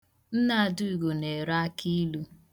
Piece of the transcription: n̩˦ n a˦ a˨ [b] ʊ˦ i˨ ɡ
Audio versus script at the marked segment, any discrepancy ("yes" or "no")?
yes